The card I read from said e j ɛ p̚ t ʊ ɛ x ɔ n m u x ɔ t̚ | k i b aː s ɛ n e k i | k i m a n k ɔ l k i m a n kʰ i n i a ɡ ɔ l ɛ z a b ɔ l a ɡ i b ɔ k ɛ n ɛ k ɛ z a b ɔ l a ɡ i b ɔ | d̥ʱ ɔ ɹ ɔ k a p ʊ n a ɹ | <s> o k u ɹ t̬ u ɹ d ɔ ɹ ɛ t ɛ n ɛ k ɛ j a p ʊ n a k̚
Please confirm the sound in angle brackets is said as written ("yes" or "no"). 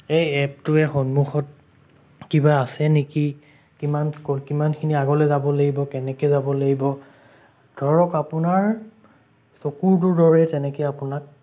yes